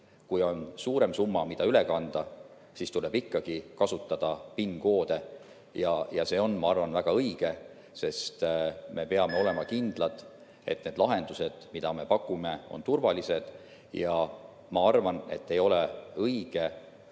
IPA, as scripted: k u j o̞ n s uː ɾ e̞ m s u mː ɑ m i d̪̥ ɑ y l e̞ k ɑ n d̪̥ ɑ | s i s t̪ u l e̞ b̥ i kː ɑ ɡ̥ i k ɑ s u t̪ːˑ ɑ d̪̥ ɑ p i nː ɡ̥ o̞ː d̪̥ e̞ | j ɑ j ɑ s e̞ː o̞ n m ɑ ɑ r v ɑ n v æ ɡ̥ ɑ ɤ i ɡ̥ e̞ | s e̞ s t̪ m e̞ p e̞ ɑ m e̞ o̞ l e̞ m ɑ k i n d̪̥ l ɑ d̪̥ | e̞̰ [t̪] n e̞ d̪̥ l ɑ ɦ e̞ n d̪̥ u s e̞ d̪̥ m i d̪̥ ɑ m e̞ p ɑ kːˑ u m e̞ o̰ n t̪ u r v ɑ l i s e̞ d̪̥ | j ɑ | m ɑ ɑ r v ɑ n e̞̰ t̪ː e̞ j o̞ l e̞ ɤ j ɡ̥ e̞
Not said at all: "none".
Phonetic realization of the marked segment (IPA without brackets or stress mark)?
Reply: t̪